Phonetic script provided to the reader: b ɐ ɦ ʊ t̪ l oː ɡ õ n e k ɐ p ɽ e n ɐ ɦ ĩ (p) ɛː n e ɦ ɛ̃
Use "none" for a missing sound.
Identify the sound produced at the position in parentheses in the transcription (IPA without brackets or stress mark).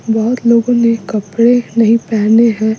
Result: p